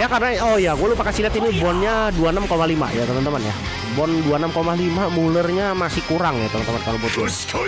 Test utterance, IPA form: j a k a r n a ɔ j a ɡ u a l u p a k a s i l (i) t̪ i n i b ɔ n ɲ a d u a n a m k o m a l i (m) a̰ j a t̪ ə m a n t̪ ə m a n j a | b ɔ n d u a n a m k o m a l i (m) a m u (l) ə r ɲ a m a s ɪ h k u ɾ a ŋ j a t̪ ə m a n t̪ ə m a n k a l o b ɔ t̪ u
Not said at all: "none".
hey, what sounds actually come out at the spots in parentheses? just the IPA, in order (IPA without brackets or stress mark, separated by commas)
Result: a, m, m, l